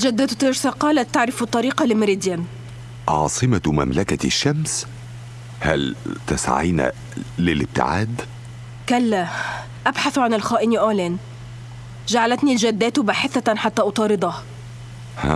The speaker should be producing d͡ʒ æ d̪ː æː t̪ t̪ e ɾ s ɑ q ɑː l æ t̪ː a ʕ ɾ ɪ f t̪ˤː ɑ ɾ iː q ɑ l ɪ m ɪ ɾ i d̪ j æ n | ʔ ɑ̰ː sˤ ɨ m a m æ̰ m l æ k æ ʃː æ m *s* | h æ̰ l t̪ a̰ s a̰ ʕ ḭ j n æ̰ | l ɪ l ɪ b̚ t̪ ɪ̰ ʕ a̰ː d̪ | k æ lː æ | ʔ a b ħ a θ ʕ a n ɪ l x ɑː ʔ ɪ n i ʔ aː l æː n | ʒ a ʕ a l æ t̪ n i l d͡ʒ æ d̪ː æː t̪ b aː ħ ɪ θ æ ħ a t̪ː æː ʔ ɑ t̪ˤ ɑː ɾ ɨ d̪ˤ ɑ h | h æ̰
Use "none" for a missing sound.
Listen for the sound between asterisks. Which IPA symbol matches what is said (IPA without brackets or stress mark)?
s